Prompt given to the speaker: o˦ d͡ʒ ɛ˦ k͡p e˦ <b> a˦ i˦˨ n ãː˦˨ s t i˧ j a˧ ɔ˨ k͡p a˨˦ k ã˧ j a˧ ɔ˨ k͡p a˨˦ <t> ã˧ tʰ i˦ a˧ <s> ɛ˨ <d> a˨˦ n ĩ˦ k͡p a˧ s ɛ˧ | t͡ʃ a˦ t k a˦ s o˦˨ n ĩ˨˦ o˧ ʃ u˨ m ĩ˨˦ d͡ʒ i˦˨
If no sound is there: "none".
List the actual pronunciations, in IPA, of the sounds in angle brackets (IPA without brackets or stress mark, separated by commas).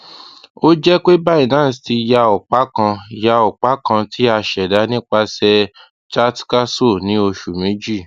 b, k, ʃ, d